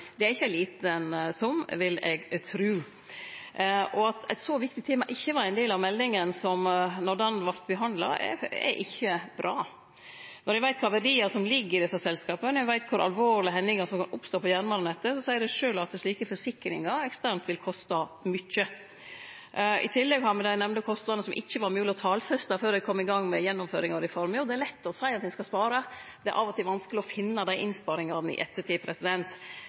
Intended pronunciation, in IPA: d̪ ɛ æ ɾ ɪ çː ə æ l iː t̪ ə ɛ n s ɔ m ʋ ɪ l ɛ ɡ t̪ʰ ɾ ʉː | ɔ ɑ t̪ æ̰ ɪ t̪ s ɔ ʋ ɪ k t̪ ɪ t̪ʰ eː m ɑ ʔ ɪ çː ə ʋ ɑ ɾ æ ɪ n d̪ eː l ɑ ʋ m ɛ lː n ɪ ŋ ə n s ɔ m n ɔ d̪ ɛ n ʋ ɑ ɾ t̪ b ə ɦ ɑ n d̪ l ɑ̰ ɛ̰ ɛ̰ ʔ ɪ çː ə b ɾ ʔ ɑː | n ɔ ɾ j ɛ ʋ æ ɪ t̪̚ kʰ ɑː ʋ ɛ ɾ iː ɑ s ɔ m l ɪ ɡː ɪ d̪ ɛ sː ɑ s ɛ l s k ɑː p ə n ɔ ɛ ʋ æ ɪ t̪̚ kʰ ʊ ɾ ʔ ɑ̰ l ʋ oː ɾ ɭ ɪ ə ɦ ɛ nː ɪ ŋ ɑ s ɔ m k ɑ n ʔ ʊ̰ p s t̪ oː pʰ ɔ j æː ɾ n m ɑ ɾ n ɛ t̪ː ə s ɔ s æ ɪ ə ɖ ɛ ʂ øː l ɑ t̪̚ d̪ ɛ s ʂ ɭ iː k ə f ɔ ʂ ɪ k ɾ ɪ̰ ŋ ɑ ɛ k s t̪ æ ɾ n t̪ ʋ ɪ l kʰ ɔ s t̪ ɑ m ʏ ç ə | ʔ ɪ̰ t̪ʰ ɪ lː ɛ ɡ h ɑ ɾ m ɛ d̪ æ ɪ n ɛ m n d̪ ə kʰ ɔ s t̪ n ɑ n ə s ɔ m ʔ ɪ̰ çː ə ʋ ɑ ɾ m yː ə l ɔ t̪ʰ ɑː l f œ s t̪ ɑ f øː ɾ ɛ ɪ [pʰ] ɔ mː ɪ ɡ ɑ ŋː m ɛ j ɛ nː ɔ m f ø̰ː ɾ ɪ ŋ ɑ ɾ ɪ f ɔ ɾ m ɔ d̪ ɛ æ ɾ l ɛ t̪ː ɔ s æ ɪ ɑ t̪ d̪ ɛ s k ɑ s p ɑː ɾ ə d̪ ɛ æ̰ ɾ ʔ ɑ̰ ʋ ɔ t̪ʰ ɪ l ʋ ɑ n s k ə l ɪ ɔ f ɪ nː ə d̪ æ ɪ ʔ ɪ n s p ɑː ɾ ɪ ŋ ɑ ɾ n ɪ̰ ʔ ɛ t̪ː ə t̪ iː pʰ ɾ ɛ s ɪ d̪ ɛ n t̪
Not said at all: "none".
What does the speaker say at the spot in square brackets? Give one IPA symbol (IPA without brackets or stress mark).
kʰ